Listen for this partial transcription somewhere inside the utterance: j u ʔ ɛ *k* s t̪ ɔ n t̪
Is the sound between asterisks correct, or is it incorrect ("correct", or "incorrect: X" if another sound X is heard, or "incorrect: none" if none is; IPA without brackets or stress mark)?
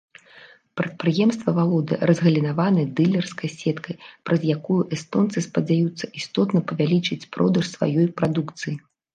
incorrect: none